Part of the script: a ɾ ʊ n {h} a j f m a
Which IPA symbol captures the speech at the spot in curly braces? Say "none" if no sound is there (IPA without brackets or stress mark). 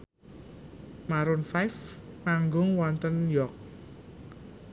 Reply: f